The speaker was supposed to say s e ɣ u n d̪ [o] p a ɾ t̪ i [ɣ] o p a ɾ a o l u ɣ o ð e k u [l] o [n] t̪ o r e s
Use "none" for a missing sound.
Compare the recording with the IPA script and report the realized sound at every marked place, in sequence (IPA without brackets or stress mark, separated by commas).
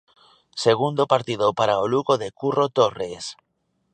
o, ð, r, none